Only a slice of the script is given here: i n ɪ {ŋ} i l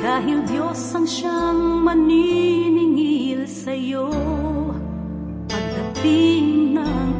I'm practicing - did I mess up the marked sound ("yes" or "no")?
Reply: no